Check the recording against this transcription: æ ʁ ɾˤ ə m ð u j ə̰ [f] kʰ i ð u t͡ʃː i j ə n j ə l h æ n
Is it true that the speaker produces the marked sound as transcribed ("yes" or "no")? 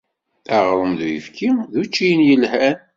yes